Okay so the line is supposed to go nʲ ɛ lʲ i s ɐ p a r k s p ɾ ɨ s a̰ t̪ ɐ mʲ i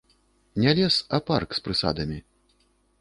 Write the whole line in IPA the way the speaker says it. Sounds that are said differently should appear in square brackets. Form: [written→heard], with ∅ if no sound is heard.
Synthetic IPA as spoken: nʲ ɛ lʲ [i→ɛ] s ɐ p a r k s p ɾ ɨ s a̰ [t̪→d̪] ɐ mʲ i

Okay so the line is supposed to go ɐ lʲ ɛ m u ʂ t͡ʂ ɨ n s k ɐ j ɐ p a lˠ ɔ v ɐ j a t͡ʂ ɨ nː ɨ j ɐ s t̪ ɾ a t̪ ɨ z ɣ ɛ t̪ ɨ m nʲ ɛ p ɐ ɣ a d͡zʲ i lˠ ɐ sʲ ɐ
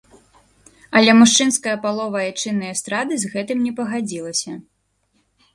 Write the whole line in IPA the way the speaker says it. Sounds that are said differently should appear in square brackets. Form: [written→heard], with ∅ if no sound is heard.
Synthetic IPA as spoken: ɐ lʲ ɛ m u ʂ t͡ʂ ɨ n s k ɐ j ɐ p a lˠ ɔ v ɐ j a t͡ʂ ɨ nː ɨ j ɐ s t̪ ɾ a [t̪→d̪] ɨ z ɣ ɛ t̪ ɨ m nʲ ɛ p ɐ ɣ a d͡zʲ i lˠ ɐ sʲ ɐ

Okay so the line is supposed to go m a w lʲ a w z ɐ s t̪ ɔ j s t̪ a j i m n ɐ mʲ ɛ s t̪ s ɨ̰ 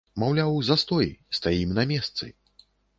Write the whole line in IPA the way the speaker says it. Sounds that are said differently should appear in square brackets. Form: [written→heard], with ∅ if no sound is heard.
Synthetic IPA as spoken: m a w lʲ a w z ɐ s t̪ ɔ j s t̪ a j i m n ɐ mʲ ɛ s t̪ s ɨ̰

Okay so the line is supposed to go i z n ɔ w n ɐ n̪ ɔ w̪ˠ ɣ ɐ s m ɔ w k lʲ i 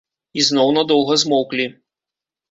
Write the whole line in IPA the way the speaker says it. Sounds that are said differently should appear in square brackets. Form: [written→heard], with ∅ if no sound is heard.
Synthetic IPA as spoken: i z n ɔ w n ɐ [n̪→d̪] ɔ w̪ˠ ɣ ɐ [s→z] m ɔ w k lʲ i

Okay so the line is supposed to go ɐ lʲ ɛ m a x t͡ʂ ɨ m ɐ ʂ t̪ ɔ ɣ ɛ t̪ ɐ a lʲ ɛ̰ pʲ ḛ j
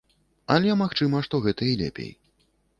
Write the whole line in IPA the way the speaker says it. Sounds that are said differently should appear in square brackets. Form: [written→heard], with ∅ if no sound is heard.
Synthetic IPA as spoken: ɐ lʲ ɛ m a x t͡ʂ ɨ m ɐ ʂ t̪ ɔ ɣ ɛ t̪ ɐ [a→i] lʲ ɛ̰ pʲ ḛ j

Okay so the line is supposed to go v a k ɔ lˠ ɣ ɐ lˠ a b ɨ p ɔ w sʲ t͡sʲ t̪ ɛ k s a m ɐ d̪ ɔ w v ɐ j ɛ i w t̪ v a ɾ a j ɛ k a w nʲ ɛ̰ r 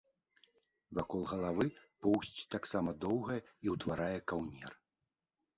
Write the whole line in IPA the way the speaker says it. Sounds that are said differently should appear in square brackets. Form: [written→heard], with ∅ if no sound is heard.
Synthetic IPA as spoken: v a k ɔ lˠ ɣ ɐ lˠ a [b→v] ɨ p ɔ w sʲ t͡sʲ t̪ [ɛ→a] k s a m ɐ d̪ ɔ w [v→ɣ] ɐ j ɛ i w t̪ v a ɾ a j ɛ k a w nʲ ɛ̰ r

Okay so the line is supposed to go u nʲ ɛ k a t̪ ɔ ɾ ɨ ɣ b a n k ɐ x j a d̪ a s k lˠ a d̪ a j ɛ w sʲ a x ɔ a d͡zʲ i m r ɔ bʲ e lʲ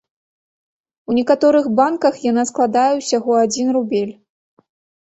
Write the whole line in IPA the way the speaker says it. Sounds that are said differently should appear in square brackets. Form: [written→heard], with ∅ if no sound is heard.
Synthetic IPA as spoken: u nʲ ɛ k a t̪ ɔ ɾ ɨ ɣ b a n k ɐ x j a [d̪→n̪] a s k lˠ a d̪ a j ɛ w sʲ a [x→ɣ] ɔ a d͡zʲ i [m→n] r [ɔ→u] bʲ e lʲ

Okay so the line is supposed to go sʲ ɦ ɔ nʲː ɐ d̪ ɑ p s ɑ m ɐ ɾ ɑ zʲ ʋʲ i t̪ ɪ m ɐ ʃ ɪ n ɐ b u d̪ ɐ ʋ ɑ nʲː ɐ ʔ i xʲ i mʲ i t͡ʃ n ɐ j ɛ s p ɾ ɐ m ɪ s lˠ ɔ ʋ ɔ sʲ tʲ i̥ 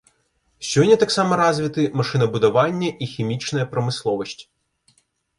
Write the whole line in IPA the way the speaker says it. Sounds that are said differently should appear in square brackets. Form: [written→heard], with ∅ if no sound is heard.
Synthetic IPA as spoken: sʲ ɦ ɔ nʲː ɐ [d̪→t̪] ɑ [p→k] s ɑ m ɐ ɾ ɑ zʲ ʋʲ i t̪ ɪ m ɐ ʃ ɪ n ɐ b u d̪ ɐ ʋ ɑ nʲː ɐ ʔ i xʲ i mʲ i t͡ʃ n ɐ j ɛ [s→∅] p ɾ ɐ m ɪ s lˠ ɔ ʋ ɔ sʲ tʲ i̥

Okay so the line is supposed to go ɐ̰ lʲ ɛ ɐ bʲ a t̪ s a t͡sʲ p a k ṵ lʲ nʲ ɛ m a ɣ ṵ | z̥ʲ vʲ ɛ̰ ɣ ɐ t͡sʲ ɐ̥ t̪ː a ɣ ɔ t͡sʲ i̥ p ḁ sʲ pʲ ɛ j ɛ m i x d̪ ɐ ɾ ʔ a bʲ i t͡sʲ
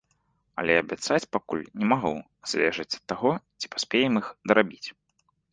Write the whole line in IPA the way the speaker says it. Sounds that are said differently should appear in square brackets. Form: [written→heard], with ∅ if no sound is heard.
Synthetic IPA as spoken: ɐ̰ lʲ ɛ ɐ bʲ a t̪ s a t͡sʲ p a k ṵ lʲ nʲ ɛ m a ɣ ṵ | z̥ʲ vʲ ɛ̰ [ɣ→ʐ] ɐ t͡sʲ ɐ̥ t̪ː a ɣ ɔ t͡sʲ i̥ p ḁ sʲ pʲ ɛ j ɛ m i x d̪ ɐ ɾ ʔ a bʲ i t͡sʲ

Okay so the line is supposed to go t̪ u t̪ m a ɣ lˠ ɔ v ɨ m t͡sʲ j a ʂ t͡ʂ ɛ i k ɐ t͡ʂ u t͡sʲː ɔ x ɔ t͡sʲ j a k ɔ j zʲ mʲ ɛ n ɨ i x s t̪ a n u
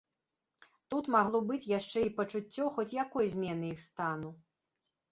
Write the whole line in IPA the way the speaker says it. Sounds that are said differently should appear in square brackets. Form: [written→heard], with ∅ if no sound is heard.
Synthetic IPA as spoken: t̪ u t̪ m a ɣ lˠ ɔ [v→b] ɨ [m→∅] t͡sʲ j a ʂ t͡ʂ ɛ i [k→p] ɐ t͡ʂ u t͡sʲː ɔ x ɔ t͡sʲ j a k ɔ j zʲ mʲ ɛ n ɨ i x s t̪ a n u

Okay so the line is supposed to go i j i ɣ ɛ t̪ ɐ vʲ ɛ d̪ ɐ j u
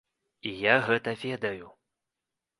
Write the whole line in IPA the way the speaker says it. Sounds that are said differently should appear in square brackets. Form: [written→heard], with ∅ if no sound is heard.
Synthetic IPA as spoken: i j [i→a] ɣ ɛ t̪ ɐ vʲ ɛ d̪ ɐ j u

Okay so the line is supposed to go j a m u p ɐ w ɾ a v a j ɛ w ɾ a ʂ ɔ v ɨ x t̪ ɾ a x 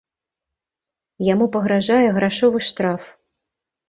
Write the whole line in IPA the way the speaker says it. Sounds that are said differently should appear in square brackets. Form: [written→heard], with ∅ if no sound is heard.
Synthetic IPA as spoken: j a m u p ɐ [w→ɣ] ɾ a [v→ʐ] a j ɛ [w→ɣ] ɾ a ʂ ɔ v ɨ [x→ʂ] t̪ ɾ a [x→f]

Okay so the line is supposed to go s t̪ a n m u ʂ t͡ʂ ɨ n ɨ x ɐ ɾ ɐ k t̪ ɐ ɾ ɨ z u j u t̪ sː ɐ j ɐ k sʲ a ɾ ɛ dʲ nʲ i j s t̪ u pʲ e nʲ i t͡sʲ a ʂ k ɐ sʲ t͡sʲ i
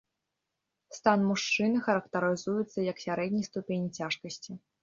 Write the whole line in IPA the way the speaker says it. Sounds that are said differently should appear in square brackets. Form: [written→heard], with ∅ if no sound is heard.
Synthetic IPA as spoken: s t̪ a n m u ʂ t͡ʂ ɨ n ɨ x ɐ ɾ ɐ k t̪ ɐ ɾ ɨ z u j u t̪ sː ɐ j ɐ k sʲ a ɾ ɛ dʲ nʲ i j s t̪ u pʲ e nʲ i t͡sʲ a ʂ k ɐ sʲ t͡sʲ i

